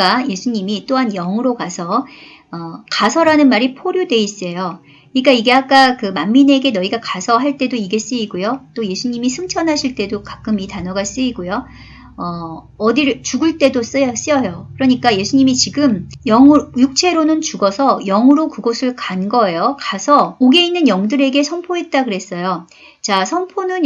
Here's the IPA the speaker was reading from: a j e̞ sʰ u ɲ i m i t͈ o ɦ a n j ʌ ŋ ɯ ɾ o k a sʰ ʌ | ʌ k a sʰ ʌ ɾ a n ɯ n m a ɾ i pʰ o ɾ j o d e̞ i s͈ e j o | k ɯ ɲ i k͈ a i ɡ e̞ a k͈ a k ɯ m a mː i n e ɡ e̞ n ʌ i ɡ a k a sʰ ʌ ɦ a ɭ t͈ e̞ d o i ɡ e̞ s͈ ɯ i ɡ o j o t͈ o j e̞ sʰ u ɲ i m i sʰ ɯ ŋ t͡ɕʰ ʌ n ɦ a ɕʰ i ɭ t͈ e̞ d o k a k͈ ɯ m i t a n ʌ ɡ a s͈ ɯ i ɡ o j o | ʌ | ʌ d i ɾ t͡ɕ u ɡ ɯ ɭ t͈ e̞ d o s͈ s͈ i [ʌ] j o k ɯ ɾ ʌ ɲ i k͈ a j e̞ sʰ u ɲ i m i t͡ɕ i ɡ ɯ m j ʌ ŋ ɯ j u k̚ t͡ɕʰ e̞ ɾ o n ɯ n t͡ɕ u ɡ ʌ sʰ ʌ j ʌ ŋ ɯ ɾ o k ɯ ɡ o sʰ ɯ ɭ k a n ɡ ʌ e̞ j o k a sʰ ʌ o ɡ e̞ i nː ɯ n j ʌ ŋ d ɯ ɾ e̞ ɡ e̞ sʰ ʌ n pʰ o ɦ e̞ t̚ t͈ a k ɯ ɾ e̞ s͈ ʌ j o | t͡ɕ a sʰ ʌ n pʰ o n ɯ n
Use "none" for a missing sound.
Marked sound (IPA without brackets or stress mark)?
ʌ